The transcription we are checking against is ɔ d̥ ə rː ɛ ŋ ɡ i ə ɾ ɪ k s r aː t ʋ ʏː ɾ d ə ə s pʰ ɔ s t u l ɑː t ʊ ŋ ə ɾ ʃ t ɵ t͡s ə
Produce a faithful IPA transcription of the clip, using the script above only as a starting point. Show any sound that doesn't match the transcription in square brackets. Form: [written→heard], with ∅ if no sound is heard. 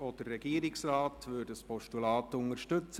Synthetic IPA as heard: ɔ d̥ ə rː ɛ [ŋ→∅] ɡ i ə ɾ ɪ k s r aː t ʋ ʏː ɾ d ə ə s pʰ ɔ [s→ʃ] t u l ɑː t ʊ ŋ ə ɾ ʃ t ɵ t͡s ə